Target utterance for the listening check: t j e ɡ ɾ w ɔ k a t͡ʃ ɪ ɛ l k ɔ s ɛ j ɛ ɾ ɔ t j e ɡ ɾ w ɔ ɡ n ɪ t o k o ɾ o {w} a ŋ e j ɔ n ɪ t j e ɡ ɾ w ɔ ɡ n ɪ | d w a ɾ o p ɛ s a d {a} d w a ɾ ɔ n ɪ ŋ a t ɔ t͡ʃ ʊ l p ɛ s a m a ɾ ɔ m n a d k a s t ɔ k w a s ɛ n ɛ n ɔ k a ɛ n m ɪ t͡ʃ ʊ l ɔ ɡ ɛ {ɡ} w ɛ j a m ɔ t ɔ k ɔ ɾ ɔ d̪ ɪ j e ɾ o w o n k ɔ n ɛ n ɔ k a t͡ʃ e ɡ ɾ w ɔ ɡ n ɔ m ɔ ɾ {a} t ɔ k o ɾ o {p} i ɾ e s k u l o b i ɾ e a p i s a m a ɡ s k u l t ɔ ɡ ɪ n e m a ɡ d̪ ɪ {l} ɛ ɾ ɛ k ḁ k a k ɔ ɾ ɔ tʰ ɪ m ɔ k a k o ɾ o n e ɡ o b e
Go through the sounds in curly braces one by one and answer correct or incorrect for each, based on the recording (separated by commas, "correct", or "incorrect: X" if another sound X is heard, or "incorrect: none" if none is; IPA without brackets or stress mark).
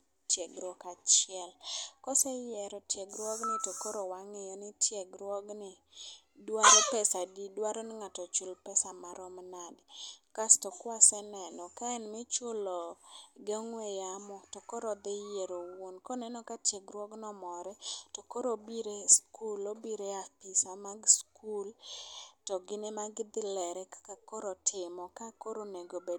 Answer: correct, incorrect: i, incorrect: ŋ, incorrect: ɛ, incorrect: b, correct